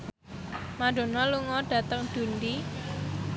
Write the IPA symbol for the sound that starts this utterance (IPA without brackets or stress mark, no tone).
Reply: m